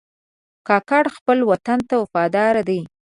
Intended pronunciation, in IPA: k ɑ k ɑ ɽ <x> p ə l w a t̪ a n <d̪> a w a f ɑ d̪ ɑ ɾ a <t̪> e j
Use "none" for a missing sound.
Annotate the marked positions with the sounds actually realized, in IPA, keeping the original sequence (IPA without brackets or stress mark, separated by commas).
x, t̪, d̪